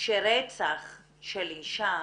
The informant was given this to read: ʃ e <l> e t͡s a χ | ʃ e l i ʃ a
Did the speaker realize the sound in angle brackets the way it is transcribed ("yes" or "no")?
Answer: no